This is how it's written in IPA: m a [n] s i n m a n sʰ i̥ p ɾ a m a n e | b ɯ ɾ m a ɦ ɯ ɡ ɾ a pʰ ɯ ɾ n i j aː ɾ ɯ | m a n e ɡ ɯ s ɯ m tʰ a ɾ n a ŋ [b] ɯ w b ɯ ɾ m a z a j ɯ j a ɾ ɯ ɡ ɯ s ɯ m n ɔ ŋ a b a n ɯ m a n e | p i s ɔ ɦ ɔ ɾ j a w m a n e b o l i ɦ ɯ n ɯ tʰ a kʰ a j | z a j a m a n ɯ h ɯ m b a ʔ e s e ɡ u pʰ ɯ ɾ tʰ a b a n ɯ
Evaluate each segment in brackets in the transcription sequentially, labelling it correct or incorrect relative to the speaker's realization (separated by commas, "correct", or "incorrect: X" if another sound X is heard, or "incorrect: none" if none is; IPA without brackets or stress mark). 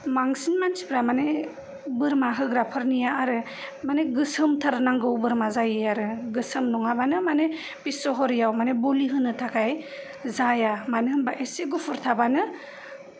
incorrect: ŋ, incorrect: ɡ